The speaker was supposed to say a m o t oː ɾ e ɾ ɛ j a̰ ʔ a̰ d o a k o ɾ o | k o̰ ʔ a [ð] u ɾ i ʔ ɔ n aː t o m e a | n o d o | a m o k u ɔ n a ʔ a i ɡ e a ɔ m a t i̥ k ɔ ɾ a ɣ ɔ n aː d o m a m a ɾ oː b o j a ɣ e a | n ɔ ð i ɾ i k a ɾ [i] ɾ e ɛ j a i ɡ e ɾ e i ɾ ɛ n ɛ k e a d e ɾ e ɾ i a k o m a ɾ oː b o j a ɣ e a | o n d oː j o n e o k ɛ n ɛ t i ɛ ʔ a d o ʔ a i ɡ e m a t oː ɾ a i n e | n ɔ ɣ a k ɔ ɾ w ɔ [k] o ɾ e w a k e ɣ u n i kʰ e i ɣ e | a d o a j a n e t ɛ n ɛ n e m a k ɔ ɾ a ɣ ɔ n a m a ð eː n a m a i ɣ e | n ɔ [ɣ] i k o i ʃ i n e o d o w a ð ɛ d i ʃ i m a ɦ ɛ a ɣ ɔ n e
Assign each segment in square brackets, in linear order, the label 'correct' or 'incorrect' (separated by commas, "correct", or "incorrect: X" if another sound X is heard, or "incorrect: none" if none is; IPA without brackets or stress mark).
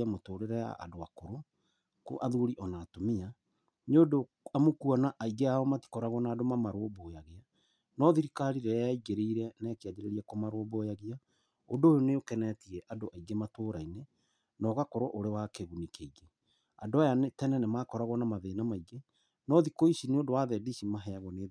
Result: correct, correct, incorrect: ʔ, incorrect: ð